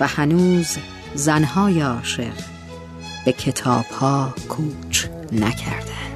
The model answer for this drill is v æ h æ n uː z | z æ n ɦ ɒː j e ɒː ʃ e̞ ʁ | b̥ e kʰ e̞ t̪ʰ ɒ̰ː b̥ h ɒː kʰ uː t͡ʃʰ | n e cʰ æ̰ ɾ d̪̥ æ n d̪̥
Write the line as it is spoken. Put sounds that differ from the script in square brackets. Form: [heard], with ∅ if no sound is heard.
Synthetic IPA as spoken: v æ h æ n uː z | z æ n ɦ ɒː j e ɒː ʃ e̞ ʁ | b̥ e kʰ e̞ t̪ʰ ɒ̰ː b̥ h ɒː kʰ uː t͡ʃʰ | n [æ] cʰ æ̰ ɾ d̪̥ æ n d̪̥